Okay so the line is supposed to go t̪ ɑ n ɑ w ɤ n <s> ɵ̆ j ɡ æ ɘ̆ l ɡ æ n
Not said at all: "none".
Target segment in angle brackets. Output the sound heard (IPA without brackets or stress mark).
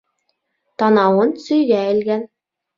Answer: s